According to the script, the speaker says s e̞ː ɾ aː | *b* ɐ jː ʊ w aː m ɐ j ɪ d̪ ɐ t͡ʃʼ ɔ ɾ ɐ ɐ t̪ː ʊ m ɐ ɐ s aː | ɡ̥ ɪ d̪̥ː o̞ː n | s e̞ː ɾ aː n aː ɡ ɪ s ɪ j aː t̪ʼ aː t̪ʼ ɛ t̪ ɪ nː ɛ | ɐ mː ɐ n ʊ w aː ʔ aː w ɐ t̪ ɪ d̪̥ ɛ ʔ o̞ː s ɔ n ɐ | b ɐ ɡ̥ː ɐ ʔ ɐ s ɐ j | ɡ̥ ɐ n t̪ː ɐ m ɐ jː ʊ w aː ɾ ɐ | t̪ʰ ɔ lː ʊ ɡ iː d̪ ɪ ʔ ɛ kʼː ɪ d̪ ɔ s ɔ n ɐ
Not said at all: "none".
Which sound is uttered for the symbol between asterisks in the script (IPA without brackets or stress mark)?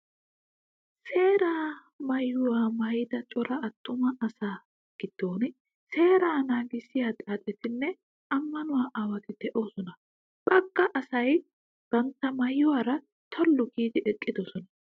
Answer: m